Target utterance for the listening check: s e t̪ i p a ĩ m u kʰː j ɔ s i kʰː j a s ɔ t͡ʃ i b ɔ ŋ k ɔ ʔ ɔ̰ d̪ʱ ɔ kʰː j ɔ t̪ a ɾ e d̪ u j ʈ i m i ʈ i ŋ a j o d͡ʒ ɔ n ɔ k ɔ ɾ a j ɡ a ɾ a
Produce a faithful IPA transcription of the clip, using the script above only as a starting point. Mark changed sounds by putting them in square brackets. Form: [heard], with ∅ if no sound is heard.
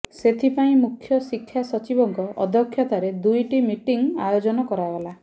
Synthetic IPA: s e [t̪ʰ] i p a ĩ m u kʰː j ɔ s i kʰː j a s ɔ t͡ʃ i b ɔ ŋ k ɔ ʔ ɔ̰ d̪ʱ ɔ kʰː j ɔ t̪ a ɾ e d̪ u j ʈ i m i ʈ i ŋ a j o d͡ʒ ɔ n ɔ k ɔ ɾ a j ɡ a [l] a